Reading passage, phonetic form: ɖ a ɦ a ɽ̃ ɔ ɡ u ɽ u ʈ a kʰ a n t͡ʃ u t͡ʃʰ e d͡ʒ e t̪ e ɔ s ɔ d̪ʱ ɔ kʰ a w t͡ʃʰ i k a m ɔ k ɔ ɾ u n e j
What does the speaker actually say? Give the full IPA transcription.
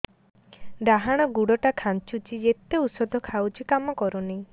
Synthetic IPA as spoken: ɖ a ɦ a ɽ̃ ɔ ɡ u ɽ ɔ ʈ a kʰ a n t͡ʃ u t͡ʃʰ i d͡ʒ e t̪ e u s ɔ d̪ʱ ɔ kʰ a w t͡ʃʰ i k a m ɔ k ɔ ɾ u n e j